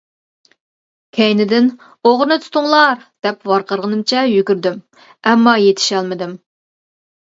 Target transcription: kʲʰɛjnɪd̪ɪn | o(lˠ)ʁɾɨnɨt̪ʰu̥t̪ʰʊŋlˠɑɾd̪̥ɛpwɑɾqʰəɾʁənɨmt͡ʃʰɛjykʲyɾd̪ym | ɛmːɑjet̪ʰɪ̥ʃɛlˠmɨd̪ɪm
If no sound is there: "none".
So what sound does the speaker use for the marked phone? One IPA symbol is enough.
none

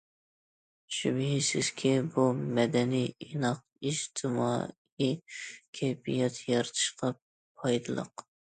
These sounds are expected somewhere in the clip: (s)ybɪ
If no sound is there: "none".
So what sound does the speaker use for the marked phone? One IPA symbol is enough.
ʃ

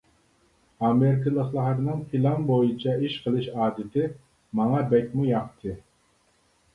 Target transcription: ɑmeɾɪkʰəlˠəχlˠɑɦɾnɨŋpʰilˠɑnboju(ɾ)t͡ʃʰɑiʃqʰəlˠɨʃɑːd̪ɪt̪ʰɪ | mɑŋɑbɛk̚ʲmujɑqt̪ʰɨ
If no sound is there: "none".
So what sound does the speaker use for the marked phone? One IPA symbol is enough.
none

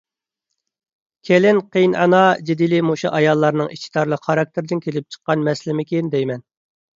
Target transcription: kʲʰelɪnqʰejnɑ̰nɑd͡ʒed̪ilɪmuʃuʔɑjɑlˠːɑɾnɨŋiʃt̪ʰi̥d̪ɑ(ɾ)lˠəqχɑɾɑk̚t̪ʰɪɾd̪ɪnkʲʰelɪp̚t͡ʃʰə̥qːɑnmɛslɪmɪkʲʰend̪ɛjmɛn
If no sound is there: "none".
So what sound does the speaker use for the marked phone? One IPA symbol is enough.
ɾ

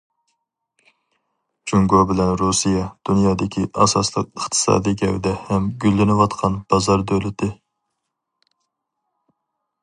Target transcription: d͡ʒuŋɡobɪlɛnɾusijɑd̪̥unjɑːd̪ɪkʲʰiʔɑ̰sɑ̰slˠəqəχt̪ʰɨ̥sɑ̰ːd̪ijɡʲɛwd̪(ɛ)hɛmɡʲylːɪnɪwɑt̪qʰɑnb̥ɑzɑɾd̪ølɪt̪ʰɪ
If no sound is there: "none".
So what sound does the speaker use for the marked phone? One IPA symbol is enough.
ɛ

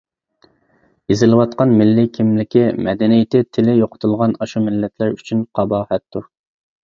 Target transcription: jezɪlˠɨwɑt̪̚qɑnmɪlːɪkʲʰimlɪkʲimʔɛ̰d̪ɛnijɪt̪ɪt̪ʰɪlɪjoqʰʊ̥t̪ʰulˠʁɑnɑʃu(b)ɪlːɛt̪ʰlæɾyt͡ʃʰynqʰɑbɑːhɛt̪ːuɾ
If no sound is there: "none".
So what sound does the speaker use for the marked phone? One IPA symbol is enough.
m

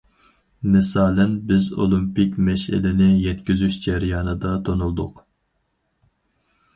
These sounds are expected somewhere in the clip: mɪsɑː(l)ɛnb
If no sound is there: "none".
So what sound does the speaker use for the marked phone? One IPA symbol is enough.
l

